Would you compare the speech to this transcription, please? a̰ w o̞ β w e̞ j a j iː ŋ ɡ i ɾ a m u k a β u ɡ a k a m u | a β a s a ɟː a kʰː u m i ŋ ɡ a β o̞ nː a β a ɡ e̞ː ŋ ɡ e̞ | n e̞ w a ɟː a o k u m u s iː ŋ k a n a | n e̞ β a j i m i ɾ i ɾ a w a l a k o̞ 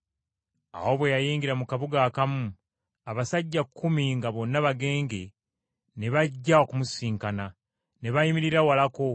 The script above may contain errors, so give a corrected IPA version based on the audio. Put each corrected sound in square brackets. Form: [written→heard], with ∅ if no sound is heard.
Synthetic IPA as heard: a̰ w o̞ β w e̞ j a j iː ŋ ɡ i ɾ a m u k a β u ɡ a k a m u | a β a s a ɟː a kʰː u m i ŋ ɡ a β o̞ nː a β a ɡ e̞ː ŋ ɡ e̞ | n e̞ [w→β] a ɟː a o k u m u s iː ŋ k a n a | n e̞ β a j i m i ɾ i ɾ a w a l a k o̞